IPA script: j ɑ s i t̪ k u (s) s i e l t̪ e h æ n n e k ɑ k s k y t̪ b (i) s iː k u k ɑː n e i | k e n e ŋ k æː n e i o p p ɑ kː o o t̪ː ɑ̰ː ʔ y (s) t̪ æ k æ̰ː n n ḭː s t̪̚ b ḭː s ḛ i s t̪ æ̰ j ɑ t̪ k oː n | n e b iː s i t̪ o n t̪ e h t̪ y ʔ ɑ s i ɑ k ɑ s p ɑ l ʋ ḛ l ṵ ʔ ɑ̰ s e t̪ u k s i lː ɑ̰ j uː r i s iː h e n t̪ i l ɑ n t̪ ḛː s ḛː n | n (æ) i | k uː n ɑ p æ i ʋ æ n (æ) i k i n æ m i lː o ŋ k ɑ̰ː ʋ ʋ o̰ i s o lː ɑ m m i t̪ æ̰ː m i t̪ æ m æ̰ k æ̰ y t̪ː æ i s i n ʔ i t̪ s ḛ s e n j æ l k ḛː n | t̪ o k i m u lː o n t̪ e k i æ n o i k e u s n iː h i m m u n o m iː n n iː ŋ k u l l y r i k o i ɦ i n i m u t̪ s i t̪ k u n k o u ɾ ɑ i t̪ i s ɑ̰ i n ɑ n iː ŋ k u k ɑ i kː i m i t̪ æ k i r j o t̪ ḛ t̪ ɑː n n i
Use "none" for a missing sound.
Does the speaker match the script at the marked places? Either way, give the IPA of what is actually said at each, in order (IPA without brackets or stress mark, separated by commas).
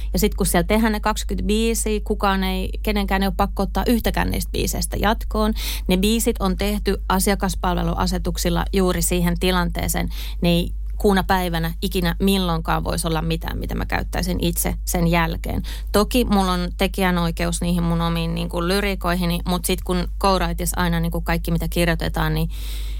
s, iː, h, e, æ